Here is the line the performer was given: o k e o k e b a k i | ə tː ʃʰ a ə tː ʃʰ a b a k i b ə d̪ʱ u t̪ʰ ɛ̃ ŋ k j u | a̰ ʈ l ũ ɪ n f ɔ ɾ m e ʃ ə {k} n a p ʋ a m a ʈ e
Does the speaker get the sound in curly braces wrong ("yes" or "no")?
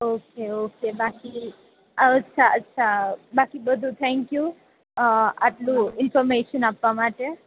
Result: yes